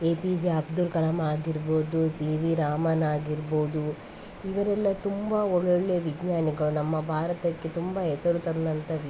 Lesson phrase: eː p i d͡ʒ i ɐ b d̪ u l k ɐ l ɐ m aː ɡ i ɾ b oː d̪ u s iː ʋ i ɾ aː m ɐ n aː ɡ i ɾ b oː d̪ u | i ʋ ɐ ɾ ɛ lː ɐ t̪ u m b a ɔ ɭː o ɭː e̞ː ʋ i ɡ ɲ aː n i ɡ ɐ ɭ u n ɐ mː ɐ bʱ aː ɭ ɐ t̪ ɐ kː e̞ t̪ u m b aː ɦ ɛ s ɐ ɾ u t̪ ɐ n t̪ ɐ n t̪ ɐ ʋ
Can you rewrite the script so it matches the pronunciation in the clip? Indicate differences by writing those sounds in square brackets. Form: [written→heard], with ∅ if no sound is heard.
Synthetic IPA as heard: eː p i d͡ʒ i ɐ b d̪ u l k ɐ l ɐ m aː ɡ i ɾ b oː d̪ u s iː ʋ i ɾ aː m ɐ n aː ɡ i ɾ b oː d̪ u | i ʋ ɐ ɾ ɛ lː ɐ t̪ u m b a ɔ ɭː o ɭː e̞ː ʋ i ɡ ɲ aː n i ɡ ɐ ɭ u n ɐ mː ɐ bʱ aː [ɭ→ɾ] ɐ t̪ ɐ kː e̞ t̪ u m b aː ɦ ɛ s ɐ ɾ u t̪ ɐ n [t̪→d̪] ɐ n t̪ ɐ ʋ